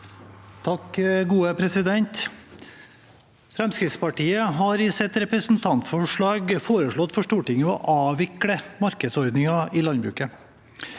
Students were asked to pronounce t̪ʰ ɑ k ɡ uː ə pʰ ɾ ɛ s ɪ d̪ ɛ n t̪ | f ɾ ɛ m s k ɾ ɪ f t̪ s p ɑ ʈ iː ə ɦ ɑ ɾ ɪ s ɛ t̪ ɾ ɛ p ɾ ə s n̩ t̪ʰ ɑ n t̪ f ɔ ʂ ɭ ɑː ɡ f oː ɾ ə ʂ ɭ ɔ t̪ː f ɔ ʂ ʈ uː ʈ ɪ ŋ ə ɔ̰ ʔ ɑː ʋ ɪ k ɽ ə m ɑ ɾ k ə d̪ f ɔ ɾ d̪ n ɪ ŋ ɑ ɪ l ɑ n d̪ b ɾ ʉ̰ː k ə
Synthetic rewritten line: t̪ʰ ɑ k ɡ uː ə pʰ ɾ ɛ s ɪ d̪ ɛ n t̪ | f ɾ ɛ m s k ɾ ɪ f t̪ s p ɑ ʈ iː ə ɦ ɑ ɾ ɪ s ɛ t̪ ɾ ɛ p ɾ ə s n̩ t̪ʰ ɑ n t̪ f ɔ ʂ ɭ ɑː ɡ f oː ɾ ə ʂ ɭ ɔ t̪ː f ɔ ʂ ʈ uː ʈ ɪ ŋ ə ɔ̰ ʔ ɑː ʋ ɪ k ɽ ə m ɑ ɾ k ə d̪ s ɔ ɾ d̪ n ɪ ŋ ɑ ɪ l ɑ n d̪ b ɾ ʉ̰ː k ə